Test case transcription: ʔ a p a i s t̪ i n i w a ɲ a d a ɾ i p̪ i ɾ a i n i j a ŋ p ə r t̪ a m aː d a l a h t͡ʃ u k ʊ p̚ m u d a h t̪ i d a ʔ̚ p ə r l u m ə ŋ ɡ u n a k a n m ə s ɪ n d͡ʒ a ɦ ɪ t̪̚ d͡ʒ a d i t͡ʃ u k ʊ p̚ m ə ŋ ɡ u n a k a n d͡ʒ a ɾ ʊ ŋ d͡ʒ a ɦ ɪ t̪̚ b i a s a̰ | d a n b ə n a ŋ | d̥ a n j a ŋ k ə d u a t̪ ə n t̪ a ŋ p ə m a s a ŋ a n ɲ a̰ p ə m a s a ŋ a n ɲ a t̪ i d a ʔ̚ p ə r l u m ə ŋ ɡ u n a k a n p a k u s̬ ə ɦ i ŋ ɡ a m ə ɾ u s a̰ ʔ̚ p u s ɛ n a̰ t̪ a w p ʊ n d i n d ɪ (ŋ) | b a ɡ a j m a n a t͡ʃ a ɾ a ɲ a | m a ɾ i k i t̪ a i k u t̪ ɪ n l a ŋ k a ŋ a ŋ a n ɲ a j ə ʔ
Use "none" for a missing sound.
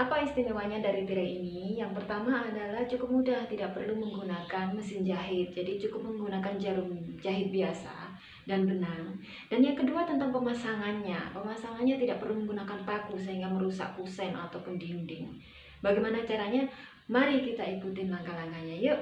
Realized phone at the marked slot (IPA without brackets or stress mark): ŋ